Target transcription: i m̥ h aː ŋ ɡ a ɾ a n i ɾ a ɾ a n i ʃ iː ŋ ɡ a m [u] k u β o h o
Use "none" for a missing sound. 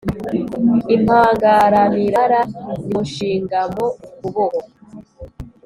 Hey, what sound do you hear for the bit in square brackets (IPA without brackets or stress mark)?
o